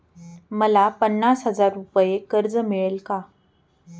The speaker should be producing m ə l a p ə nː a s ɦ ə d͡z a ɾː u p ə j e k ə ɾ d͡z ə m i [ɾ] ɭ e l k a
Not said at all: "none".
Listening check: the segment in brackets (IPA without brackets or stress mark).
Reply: none